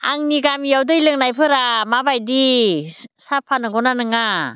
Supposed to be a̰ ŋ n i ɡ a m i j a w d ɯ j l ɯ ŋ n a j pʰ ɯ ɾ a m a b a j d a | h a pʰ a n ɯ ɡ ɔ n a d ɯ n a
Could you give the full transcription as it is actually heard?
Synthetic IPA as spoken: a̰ ŋ n i ɡ a m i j a w d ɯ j l ɯ ŋ n a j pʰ ɯ ɾ a m a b a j d i | s a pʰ a n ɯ ɡ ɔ n a n ɯ ŋ a